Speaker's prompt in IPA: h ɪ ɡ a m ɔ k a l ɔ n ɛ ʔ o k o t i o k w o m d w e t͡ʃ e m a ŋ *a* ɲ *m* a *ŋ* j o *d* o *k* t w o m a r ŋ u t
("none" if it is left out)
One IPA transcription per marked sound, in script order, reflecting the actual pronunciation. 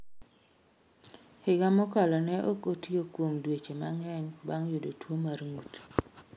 ɛ, b, ŋ, d, none

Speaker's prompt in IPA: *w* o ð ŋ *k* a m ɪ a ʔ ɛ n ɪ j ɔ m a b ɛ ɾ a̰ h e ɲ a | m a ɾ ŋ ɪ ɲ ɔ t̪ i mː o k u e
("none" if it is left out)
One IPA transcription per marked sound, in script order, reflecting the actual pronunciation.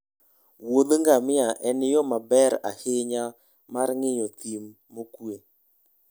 w, ɡ

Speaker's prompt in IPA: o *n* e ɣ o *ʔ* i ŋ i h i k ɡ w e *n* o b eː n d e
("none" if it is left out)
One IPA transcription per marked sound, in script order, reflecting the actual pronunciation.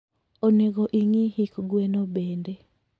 n, ʔ, n

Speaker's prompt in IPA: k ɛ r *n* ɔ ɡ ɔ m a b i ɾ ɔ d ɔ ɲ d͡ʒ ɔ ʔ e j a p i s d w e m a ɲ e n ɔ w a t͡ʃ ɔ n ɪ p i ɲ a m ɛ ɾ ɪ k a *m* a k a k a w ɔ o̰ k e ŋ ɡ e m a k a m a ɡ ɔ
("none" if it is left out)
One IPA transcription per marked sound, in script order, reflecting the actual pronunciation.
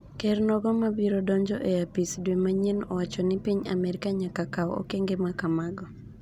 n, ɲ

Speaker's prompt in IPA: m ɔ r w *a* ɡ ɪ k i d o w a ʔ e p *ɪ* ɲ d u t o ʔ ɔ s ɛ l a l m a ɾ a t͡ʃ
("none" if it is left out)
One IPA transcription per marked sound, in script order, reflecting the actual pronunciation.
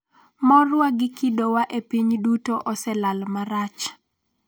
a, i

